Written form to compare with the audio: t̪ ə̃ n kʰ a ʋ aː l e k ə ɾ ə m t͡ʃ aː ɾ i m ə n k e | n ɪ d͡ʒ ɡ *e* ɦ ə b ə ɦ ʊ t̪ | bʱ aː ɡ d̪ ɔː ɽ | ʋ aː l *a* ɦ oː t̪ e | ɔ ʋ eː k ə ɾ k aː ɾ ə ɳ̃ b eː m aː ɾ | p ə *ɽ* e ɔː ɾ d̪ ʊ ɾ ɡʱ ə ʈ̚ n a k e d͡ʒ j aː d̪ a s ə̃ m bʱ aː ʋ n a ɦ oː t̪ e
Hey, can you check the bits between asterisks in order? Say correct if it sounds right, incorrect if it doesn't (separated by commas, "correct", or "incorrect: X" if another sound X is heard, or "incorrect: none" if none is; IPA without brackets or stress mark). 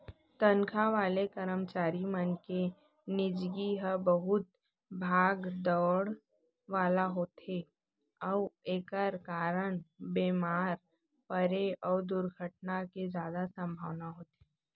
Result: incorrect: i, correct, incorrect: ɾ